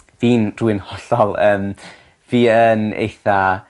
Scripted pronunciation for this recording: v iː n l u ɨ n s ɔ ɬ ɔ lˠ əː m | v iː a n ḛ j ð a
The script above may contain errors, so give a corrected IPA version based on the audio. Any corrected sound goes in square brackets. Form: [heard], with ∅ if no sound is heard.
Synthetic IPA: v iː n [r] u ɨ n [h] ɔ ɬ ɔ lˠ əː m | v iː [ə] n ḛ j [θ] a